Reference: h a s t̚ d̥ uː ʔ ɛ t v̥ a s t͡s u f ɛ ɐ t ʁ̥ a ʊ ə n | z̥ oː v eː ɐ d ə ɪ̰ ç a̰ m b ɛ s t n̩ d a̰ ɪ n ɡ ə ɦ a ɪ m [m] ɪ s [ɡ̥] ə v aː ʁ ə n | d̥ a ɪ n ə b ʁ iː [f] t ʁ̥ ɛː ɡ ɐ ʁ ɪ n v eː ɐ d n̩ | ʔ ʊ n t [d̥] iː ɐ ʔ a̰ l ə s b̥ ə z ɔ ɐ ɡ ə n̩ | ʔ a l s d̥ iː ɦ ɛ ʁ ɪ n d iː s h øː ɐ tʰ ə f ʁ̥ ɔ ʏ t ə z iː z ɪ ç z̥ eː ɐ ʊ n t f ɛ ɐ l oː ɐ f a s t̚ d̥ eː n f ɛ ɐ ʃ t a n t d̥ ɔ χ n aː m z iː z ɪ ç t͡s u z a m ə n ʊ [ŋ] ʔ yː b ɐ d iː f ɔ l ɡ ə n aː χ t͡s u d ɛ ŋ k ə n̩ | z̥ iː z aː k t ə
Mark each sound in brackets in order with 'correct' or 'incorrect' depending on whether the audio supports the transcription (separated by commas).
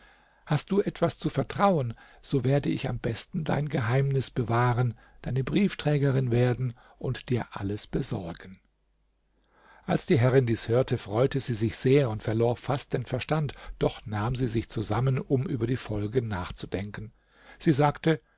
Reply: incorrect, incorrect, correct, correct, incorrect